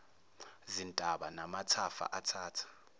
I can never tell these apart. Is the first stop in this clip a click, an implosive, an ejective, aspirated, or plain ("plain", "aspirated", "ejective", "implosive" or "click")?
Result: ejective